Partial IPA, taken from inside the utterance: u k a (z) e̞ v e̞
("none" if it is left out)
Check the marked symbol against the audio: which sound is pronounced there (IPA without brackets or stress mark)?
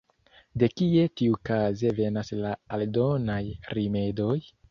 z